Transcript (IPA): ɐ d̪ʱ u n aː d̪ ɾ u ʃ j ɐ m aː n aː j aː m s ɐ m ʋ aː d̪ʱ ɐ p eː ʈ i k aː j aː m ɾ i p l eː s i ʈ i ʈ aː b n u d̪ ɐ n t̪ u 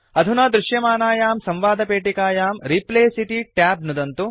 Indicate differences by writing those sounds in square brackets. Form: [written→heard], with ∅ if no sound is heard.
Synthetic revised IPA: ɐ d̪ʱ u n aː d̪ ɾ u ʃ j ɐ m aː n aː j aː m s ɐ m ʋ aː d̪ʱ ɐ p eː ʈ i k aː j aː m ɾ i p l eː s i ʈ i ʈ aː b n u d̪ ɐ n t̪ u

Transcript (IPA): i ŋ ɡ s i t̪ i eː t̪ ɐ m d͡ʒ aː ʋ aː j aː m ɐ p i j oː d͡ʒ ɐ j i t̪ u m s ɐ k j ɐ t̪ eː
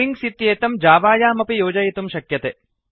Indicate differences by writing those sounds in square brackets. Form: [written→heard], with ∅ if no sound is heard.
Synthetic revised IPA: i ŋ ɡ s i t̪ [i→j] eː t̪ ɐ m d͡ʒ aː ʋ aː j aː m ɐ p i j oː d͡ʒ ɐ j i t̪ u m [s→ʃ] ɐ k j ɐ t̪ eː

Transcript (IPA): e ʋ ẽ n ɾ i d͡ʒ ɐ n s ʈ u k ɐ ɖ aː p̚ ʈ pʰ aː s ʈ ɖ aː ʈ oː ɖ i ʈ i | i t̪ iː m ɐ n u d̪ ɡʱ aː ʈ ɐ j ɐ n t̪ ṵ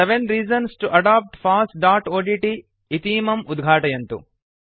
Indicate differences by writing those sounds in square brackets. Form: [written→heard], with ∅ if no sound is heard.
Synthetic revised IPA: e ʋ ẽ n ɾ [i→iː] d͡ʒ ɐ n s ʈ u [k→ʔ] ɐ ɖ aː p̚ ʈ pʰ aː s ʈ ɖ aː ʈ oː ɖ i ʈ i | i t̪ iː m ɐ [n→m] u d̪ ɡʱ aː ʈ ɐ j ɐ n t̪ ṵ

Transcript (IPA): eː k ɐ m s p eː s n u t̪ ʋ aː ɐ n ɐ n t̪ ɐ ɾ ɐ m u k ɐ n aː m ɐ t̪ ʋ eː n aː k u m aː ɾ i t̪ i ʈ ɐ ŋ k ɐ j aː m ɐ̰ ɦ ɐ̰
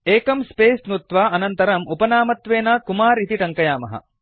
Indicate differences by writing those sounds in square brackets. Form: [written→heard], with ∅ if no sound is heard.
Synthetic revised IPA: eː k ɐ m s p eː s n u t̪ ʋ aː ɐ n ɐ n t̪ ɐ ɾ ɐ m u [k→p] ɐ n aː m ɐ t̪ ʋ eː n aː k u m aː ɾ i t̪ i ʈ ɐ ŋ k ɐ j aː m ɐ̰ ɦ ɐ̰

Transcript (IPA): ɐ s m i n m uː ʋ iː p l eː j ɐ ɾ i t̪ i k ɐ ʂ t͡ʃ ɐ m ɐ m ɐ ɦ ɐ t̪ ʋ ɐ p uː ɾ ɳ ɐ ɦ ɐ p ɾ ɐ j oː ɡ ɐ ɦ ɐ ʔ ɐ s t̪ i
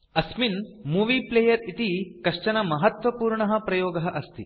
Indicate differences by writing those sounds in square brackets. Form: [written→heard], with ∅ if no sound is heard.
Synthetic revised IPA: ɐ s m i n m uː ʋ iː p l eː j ɐ ɾ i t̪ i k ɐ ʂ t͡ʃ ɐ [m→n] ɐ m ɐ ɦ ɐ t̪ ʋ ɐ p uː ɾ ɳ ɐ ɦ ɐ p ɾ ɐ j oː ɡ ɐ ɦ ɐ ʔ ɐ s t̪ i

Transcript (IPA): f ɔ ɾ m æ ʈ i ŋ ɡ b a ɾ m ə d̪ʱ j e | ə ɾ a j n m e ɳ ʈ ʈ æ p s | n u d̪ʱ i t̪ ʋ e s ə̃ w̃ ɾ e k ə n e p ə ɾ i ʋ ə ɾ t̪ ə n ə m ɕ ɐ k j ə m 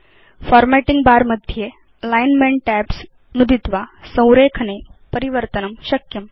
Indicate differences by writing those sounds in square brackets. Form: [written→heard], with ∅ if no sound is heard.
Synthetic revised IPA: f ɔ ɾ m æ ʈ i ŋ ɡ b a ɾ m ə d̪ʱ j e | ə [ɾ→l] a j n m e ɳ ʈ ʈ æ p s | n u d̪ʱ i t̪ ʋ [e→a] s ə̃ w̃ ɾ e [k→kʰ] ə n e p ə ɾ i ʋ ə ɾ t̪ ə n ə m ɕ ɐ k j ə m

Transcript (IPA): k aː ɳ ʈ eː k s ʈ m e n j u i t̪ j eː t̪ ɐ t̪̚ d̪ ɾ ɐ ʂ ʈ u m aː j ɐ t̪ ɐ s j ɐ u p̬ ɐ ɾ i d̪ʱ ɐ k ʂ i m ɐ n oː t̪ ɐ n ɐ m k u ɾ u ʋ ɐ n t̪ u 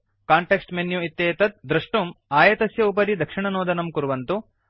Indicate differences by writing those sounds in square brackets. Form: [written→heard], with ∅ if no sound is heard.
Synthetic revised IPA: k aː ɳ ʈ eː k s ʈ m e n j u i t̪ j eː t̪ ɐ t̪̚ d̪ ɾ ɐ ʂ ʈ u m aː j ɐ t̪ ɐ s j ɐ u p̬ ɐ ɾ i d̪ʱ ɐ k ʂ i [m→ɳ] ɐ n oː [t̪→d̪] ɐ n ɐ m k u ɾ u ʋ ɐ n t̪ u

